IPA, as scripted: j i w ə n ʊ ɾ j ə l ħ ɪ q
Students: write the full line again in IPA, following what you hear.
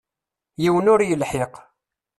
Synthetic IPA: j i w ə n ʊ ɾ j ə l ħ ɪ q

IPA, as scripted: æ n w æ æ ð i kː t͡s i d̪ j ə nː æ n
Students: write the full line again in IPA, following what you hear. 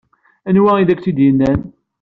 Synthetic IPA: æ n w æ i ð æ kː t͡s i d̪ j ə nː æ n

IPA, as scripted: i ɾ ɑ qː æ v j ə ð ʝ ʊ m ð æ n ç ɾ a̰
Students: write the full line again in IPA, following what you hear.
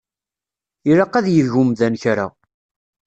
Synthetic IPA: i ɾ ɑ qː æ ð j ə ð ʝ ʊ m ð æ n ç ɾ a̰

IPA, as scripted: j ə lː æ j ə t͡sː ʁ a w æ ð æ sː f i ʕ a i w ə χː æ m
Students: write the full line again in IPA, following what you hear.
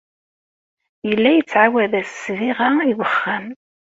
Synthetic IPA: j ə lː æ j ə t͡sː ʕ a w æ ð æ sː v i ʁ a i w ə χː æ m

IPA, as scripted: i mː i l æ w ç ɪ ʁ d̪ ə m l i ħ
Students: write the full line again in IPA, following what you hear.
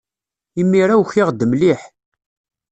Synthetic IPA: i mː i ɾ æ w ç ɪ ʁ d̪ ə m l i ħ

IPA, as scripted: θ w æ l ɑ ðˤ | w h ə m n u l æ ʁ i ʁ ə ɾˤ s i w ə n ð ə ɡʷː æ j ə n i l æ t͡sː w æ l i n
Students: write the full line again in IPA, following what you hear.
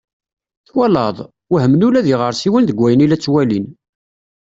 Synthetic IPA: θ w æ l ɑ ðˤ | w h ə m n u l æ ð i ʁ ə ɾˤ s i w ə n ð ə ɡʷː æ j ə n i l æ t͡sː w æ l i n

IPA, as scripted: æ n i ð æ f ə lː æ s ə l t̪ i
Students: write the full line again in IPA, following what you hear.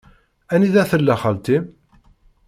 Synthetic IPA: æ n i ð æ θ ə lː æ χ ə l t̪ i

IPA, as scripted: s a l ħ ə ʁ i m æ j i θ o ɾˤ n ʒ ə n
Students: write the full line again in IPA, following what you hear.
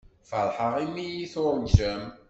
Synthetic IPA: f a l ħ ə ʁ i m i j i θ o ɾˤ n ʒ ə m

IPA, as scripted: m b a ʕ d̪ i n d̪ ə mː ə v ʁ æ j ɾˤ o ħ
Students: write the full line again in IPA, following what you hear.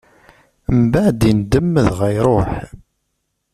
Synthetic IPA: m b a ʕ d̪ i n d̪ ə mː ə ð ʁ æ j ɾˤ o ħ

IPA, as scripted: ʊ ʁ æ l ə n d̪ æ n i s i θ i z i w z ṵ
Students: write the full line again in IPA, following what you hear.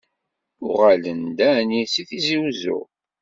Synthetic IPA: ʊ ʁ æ l ə n d̪ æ n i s i θ i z i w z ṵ

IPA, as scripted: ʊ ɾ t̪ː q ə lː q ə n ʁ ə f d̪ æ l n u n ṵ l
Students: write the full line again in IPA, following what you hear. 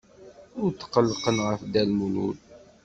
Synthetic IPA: ʊ ɾ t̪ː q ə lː q ə n ʁ ə f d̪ æ l m u n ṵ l

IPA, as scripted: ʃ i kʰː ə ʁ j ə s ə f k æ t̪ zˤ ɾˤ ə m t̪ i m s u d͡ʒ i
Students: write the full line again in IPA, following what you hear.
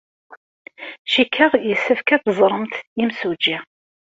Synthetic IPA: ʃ i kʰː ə ʁ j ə s ə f k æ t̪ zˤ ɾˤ ə m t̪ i m s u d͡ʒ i

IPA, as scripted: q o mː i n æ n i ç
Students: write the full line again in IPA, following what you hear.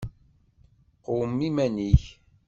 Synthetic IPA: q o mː i m æ n i ç

